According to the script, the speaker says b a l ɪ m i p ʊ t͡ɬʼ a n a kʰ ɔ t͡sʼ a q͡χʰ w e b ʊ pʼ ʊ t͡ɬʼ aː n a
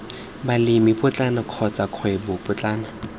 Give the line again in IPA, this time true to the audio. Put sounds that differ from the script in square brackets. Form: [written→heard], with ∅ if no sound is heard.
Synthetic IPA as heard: b a l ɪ m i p ʊ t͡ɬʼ a n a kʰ ɔ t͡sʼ a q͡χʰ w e b ʊ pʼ ʊ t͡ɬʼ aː n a